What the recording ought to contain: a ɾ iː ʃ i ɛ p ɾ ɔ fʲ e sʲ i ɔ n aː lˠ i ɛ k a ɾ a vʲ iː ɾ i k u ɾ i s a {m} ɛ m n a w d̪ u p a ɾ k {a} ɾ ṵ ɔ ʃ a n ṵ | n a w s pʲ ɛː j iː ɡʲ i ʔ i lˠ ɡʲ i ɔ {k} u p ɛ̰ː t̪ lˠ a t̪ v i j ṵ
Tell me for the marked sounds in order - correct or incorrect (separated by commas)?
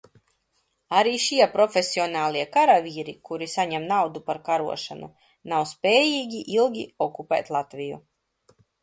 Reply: incorrect, correct, correct